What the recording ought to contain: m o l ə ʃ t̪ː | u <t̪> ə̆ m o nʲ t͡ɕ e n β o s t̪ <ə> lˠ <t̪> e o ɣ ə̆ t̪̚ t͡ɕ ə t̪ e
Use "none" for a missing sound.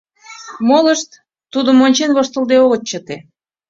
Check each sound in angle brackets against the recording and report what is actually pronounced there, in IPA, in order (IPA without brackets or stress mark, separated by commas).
d̪, ə, d̪